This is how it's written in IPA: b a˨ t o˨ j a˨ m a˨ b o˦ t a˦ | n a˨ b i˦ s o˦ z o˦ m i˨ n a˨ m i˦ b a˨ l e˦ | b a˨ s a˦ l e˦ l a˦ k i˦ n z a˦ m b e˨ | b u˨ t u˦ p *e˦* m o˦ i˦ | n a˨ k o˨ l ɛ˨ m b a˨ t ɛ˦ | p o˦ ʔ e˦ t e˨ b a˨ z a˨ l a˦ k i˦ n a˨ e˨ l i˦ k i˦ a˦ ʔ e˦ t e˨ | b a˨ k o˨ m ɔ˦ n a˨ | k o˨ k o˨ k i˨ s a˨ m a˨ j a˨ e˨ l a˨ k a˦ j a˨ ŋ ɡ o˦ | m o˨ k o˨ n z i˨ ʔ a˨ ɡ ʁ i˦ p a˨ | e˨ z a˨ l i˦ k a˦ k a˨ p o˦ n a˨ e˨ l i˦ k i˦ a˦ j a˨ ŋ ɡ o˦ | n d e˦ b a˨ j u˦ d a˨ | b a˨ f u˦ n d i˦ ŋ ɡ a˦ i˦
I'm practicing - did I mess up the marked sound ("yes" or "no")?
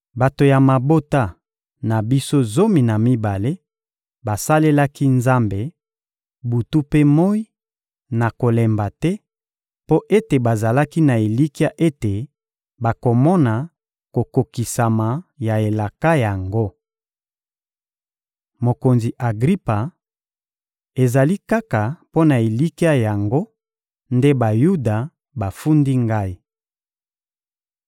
no